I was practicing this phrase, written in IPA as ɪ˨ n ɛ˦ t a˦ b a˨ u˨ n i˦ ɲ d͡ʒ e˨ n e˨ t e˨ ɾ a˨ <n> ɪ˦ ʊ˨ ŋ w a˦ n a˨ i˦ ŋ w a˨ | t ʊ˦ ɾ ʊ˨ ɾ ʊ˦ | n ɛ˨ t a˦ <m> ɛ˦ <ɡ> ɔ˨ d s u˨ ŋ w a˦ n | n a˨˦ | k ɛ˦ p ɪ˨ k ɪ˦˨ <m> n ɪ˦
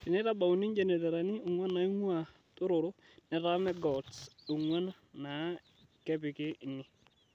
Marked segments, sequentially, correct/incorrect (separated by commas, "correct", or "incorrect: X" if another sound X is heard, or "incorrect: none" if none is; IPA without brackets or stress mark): correct, correct, correct, incorrect: none